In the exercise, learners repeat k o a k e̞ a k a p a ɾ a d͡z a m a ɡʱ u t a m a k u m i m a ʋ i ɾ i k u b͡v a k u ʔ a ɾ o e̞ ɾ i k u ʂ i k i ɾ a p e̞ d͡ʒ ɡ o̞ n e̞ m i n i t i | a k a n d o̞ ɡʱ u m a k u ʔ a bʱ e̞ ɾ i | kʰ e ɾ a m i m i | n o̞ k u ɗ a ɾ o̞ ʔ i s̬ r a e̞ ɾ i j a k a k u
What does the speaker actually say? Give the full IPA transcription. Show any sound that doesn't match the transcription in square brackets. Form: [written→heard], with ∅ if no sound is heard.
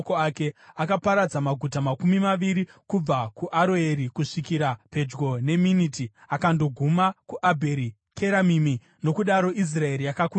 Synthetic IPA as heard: k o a k e̞ a k a p a ɾ a d͡z a m a ɡʱ u t a m a k u m i m a ʋ i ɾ i k u b͡v a k u ʔ a ɾ o e̞ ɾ i k u ʂ i k i ɾ a p e̞ d͡ʒ ɡ o̞ n e̞ m i n i t i | a k a n d o̞ ɡʱ u m a k u ʔ a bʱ e̞ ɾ i | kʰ e ɾ a m i m i | n o̞ k u ɗ a ɾ o̞ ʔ i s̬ r a e̞ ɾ i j a k a k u